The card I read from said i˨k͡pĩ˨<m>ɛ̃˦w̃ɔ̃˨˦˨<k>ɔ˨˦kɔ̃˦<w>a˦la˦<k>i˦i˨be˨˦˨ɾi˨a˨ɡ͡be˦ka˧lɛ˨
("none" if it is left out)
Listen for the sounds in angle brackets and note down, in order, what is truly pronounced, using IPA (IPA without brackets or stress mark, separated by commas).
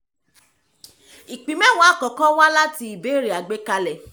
m, k, w, t